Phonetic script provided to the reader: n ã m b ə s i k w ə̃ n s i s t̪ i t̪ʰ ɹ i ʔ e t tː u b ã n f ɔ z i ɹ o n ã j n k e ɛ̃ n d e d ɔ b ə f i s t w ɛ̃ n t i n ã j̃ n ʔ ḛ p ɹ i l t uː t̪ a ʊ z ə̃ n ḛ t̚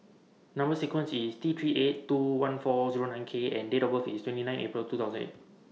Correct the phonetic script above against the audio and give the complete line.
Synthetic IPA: n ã m b ə s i k w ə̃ n s i s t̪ i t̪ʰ ɹ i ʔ e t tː u w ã n f ɔ z i ɹ o n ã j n kʰ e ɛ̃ n d e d ɔ b ə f i s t w ɛ̃ n t i n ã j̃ n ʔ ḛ p ɹ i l t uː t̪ a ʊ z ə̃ n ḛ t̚